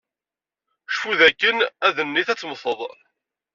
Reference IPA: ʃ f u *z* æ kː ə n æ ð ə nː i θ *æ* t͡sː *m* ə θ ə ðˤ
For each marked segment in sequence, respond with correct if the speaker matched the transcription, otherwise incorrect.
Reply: incorrect, correct, correct

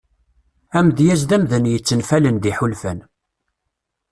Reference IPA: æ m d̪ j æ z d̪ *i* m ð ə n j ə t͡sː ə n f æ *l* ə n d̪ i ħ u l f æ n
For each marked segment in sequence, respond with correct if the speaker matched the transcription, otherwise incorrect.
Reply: incorrect, correct

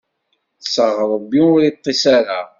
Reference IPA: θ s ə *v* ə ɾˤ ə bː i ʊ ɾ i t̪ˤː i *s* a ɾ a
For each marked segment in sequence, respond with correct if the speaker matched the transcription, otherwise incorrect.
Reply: incorrect, correct

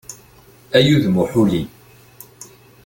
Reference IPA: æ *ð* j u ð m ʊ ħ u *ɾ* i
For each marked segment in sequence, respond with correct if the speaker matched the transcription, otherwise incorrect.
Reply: incorrect, incorrect

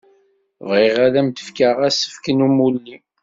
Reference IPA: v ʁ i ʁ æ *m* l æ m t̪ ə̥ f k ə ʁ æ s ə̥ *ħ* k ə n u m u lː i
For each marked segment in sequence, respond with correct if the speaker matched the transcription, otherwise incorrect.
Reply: incorrect, incorrect

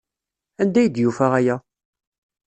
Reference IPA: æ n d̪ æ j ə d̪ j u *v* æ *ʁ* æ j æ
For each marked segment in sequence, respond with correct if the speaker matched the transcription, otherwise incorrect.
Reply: incorrect, correct

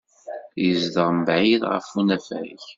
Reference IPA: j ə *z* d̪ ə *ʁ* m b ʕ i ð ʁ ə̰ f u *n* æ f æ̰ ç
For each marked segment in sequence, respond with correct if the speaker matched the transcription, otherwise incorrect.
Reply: correct, correct, correct

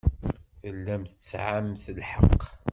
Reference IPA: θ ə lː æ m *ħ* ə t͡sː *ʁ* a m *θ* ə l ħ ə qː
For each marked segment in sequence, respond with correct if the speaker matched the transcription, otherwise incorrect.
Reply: incorrect, incorrect, correct

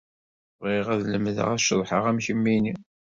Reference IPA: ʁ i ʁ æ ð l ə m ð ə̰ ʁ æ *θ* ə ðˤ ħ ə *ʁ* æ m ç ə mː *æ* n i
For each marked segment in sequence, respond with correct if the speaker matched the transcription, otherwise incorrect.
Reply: incorrect, correct, incorrect

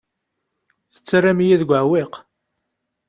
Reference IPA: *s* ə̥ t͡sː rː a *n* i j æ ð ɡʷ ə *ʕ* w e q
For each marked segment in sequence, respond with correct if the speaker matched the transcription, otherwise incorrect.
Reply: incorrect, incorrect, correct

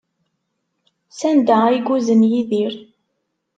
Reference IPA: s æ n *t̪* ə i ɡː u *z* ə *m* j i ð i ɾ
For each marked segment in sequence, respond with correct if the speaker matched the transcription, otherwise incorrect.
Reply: incorrect, correct, incorrect

